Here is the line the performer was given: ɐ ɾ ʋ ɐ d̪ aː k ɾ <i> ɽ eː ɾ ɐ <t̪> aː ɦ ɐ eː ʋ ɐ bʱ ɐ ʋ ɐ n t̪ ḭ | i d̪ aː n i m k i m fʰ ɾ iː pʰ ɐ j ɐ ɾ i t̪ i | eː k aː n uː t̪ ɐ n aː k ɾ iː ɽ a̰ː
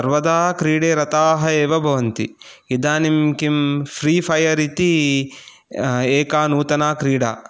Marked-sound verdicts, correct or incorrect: incorrect: iː, correct

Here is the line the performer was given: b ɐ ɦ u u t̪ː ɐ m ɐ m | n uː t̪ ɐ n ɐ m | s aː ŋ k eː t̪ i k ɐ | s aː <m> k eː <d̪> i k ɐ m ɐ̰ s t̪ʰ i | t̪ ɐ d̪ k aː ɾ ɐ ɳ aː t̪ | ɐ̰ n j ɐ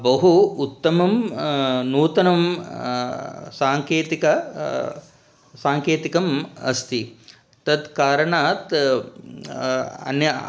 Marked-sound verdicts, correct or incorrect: incorrect: ŋ, incorrect: t̪

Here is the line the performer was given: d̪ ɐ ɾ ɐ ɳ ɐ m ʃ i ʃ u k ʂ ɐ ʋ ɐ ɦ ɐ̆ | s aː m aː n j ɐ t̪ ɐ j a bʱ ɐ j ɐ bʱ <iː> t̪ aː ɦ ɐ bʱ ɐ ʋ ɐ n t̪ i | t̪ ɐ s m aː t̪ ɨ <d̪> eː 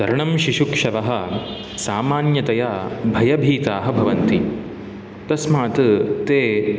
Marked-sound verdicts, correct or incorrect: correct, incorrect: t̪

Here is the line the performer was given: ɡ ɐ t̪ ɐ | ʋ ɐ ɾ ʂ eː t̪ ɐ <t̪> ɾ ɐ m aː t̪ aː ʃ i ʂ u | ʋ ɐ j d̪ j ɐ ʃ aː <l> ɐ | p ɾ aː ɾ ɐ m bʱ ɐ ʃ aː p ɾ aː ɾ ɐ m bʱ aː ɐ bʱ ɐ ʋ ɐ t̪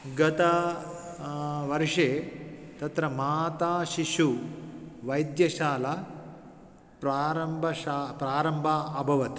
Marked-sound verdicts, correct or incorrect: correct, correct

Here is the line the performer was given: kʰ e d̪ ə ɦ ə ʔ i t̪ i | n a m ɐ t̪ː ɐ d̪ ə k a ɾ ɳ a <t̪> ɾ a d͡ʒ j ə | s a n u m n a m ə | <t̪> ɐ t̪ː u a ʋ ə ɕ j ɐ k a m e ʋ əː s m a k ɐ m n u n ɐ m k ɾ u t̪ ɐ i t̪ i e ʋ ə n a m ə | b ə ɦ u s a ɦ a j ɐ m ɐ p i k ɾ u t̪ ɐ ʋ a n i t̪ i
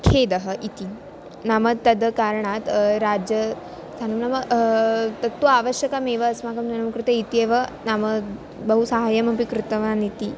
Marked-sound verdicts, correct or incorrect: correct, correct

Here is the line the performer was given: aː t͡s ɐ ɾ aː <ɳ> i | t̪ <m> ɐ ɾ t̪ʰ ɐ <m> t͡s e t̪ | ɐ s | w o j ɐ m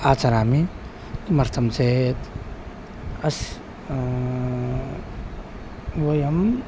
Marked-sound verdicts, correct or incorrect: incorrect: m, correct, correct

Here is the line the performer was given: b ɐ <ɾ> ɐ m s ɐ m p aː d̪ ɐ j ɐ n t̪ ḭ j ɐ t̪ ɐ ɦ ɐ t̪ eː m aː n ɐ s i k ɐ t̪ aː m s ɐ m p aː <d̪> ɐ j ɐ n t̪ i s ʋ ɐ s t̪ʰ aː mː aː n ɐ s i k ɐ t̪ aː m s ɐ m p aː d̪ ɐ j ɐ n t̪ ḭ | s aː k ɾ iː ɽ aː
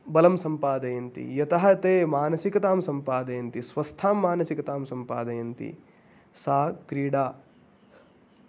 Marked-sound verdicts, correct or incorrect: incorrect: l, correct

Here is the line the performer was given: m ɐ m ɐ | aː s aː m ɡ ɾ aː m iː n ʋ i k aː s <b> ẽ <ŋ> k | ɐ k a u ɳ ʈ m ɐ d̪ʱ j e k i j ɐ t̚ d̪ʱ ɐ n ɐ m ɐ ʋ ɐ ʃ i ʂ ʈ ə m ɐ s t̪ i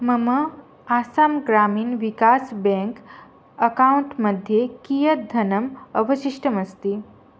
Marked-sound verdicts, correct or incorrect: correct, correct

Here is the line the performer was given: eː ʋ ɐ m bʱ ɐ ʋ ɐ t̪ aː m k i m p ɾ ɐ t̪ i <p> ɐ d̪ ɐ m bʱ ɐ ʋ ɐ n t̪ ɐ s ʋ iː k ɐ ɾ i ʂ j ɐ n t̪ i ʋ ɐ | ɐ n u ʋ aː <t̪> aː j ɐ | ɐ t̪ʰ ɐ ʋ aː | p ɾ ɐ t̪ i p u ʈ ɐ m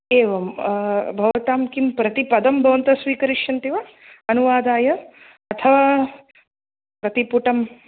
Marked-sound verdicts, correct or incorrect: correct, incorrect: d̪

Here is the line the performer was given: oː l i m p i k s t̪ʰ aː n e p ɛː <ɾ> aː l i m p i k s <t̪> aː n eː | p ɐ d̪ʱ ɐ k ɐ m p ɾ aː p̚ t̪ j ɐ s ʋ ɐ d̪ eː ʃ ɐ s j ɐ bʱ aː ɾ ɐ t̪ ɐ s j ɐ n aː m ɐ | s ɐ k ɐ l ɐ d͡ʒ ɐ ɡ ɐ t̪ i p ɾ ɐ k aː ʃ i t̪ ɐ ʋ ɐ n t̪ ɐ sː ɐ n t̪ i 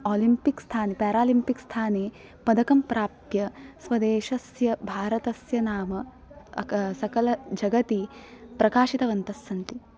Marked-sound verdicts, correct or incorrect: correct, incorrect: t̪ʰ

